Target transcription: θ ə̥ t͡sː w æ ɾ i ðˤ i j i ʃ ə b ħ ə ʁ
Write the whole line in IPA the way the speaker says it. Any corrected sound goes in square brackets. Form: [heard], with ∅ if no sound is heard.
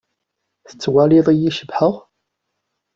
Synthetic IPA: θ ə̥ t͡sː w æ [l] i ðˤ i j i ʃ ə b ħ ə ʁ